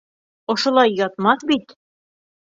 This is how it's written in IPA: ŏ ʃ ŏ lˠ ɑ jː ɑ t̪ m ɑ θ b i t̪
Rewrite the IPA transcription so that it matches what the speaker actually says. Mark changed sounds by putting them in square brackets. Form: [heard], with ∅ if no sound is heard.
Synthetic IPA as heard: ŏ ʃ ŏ lˠ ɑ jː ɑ t̪ m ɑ θ b i t̪